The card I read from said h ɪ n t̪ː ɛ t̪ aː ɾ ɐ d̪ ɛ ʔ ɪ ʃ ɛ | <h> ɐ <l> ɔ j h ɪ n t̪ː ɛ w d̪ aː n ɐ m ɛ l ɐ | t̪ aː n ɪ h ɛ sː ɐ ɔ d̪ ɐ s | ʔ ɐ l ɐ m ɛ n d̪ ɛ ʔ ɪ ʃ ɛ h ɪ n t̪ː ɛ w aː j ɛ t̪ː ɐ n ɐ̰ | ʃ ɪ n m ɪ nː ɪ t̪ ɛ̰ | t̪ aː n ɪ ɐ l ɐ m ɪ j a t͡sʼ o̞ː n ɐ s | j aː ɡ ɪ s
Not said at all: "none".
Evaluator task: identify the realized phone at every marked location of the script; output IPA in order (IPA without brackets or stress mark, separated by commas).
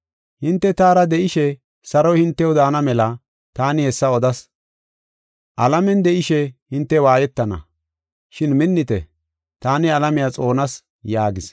s, ɾ